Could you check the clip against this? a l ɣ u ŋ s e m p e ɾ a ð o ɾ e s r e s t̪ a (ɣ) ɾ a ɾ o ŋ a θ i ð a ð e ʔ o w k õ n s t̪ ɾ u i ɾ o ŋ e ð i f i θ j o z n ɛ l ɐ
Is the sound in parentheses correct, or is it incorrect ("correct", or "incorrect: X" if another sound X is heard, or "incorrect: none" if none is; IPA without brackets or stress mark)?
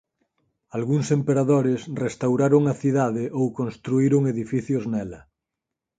incorrect: w